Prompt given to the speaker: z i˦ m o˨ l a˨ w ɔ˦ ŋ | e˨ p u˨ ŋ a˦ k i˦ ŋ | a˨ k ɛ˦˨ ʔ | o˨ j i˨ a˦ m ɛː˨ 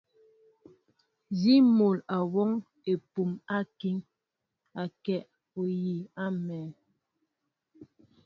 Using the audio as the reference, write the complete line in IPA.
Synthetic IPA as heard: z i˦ m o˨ l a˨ w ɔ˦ ŋ | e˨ p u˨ m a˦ k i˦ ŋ | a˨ k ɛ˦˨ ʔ | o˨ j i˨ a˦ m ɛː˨